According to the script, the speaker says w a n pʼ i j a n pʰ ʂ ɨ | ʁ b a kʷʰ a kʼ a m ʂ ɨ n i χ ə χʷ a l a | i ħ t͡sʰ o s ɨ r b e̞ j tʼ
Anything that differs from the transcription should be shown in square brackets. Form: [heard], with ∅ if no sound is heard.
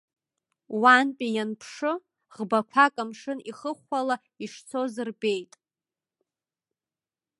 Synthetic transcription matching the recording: w a n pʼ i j a n pʰ ʂ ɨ | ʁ b a kʷʰ a kʼ a m ʂ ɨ n i χ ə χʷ a l a | i [ʂ] t͡sʰ o [z] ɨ r b e̞ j tʼ